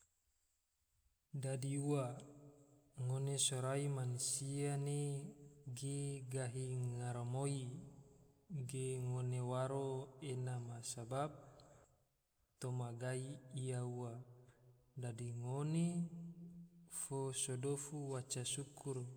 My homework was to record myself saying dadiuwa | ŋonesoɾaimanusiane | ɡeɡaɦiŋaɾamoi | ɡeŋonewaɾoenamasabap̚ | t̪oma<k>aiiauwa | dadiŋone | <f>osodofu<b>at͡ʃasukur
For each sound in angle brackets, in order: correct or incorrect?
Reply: incorrect: ɡ, correct, incorrect: w

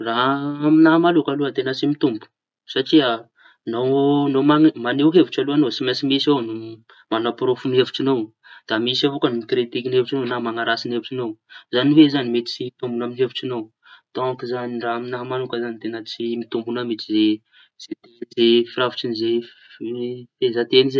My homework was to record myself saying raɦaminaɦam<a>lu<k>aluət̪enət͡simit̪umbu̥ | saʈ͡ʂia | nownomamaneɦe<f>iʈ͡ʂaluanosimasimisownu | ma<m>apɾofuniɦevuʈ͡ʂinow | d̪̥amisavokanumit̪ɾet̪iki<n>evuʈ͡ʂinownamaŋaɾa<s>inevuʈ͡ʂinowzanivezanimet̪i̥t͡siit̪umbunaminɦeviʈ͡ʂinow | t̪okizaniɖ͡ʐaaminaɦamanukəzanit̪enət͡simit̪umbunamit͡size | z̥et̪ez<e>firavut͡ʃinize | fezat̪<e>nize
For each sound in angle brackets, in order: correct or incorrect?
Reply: correct, correct, incorrect: v, incorrect: n, correct, correct, correct, correct

